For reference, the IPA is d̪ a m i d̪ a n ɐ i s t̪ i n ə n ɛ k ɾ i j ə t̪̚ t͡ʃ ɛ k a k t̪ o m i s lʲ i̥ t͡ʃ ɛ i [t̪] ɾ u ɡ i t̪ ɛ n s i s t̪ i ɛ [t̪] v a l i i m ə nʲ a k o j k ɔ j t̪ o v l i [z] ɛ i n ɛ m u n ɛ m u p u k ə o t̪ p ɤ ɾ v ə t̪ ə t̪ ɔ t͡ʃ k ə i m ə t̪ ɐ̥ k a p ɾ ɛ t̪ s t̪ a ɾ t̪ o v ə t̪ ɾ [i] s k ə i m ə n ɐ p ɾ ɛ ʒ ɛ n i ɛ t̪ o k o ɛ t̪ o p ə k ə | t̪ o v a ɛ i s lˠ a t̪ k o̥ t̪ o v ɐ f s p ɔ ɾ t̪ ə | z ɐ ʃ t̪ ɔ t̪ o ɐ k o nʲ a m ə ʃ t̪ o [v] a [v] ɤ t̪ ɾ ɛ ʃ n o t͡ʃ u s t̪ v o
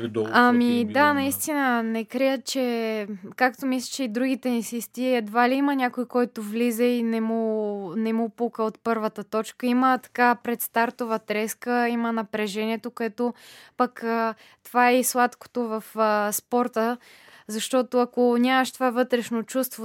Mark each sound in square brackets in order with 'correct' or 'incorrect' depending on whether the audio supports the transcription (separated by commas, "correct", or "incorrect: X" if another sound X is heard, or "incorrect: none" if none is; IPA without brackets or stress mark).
incorrect: d̪, incorrect: d̪, correct, incorrect: ɛ, correct, correct